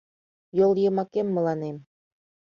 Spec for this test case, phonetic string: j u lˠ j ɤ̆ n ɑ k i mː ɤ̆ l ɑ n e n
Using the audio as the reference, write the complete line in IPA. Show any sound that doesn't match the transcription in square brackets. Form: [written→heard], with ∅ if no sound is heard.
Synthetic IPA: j [u→o] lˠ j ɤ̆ [n→m] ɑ k [i→e] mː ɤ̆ l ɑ n e [n→m]